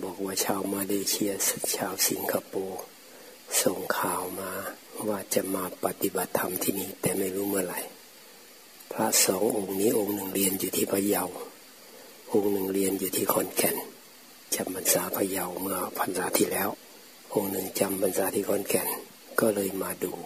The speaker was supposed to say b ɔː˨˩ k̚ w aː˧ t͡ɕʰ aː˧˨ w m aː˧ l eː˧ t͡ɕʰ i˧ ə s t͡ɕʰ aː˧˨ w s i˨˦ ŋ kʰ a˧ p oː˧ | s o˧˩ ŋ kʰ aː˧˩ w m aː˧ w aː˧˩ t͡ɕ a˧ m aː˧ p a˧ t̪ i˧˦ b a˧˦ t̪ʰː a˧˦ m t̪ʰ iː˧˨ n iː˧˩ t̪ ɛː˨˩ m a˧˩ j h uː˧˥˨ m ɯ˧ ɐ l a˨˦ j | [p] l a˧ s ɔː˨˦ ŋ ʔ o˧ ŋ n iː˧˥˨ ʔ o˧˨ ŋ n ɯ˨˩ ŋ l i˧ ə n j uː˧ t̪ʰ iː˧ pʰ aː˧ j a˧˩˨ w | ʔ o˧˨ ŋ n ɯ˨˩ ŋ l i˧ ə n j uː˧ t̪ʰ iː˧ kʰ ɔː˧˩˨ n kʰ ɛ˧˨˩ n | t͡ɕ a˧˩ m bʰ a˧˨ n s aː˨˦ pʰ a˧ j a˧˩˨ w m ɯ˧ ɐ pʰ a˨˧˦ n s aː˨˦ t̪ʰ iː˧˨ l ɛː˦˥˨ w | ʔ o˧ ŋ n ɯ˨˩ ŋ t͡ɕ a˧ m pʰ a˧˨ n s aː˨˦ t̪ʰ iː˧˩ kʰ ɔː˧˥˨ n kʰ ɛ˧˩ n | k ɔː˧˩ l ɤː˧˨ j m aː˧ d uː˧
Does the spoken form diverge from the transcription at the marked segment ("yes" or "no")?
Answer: yes